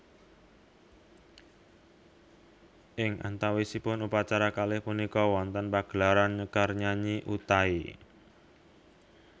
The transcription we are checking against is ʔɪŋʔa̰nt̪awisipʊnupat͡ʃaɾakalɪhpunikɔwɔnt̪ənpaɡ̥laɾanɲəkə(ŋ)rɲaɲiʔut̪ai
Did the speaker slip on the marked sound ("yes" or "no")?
yes